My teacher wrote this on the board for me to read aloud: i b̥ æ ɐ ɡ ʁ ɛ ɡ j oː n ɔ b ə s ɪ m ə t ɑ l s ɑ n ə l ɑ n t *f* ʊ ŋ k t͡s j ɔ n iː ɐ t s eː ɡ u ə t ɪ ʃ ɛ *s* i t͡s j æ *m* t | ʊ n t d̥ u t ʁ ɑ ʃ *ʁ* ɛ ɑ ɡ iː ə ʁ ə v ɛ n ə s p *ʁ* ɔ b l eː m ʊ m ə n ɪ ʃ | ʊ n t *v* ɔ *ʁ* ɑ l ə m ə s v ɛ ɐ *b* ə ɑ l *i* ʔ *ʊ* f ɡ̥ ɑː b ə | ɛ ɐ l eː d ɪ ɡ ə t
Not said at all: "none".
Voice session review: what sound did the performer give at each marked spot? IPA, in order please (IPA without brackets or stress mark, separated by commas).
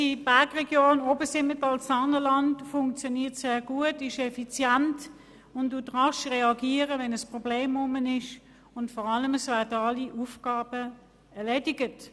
f, f, n, ʁ, ʁ, f, ʁ, d, i, u